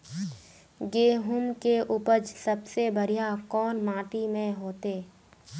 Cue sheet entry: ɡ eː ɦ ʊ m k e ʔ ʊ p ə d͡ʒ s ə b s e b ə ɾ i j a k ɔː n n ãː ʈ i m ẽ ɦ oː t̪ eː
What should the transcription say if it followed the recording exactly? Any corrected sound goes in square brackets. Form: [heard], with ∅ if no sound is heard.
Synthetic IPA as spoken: ɡ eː ɦ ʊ m k e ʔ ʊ p ə d͡ʒ s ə b s e b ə ɾ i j a k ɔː n [m] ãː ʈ i m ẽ ɦ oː t̪ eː